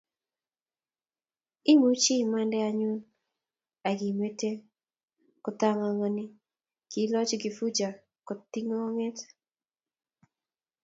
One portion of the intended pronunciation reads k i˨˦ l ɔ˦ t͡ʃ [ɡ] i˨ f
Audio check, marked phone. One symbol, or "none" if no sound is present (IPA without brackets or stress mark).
ɡ